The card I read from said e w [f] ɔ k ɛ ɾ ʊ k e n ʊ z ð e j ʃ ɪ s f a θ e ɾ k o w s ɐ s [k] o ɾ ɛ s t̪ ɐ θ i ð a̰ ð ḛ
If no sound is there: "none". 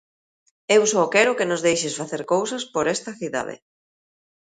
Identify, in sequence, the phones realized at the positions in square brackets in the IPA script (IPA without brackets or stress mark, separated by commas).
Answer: s, p